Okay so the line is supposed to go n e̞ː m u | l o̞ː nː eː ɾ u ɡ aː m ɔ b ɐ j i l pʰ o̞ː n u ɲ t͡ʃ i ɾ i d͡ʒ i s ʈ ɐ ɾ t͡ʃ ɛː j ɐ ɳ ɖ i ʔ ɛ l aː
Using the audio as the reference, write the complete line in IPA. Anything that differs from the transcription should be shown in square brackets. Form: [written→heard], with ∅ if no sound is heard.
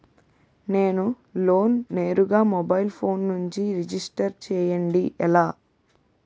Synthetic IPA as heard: n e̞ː [m→n] u | l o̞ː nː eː ɾ u ɡ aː m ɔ b ɐ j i l pʰ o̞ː [n→nː] u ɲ t͡ʃ i ɾ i d͡ʒ i s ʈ ɐ ɾ t͡ʃ ɛː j ɐ ɳ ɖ i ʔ ɛ l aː